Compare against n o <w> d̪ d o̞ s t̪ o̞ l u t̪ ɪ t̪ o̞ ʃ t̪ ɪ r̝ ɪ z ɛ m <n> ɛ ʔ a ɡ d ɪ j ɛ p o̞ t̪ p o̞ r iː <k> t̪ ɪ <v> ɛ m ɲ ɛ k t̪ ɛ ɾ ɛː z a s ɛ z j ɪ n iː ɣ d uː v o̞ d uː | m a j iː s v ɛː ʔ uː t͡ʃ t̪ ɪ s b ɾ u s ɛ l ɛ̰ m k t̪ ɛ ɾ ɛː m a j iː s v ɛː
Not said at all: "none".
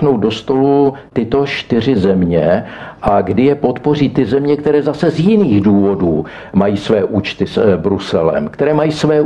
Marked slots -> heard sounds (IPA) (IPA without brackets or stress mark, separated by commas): w, ɲ, none, z